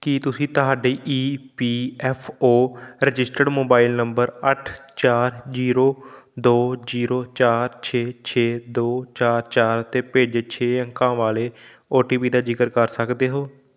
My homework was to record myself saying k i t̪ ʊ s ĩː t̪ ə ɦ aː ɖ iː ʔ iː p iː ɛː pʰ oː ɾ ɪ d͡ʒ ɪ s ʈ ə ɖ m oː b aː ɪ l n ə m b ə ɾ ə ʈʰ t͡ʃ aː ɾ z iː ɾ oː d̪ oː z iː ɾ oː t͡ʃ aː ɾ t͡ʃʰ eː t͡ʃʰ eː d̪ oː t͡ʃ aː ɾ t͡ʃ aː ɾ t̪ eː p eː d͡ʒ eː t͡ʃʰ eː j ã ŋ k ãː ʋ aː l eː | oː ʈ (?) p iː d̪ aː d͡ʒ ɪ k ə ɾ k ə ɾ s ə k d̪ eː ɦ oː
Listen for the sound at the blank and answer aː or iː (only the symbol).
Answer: iː